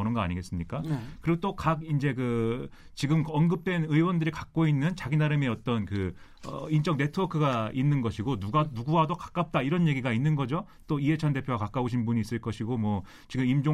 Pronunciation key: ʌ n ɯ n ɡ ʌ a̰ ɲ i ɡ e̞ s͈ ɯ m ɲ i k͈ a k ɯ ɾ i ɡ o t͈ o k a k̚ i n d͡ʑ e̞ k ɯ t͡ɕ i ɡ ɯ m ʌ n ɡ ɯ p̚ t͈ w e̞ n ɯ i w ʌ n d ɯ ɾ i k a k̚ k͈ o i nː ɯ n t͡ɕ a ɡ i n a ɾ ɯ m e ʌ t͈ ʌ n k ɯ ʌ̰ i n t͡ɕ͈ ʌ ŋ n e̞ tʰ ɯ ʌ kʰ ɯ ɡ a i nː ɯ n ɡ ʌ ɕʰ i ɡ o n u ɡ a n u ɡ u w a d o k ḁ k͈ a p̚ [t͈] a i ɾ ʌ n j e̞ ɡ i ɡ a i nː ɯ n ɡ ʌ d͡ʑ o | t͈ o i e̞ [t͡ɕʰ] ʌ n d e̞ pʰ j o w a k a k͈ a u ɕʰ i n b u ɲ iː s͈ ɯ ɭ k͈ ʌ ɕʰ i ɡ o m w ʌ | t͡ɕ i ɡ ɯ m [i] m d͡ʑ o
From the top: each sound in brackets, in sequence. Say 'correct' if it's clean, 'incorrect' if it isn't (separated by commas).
correct, correct, correct